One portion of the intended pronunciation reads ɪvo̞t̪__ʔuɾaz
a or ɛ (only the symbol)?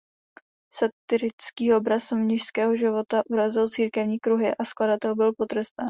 a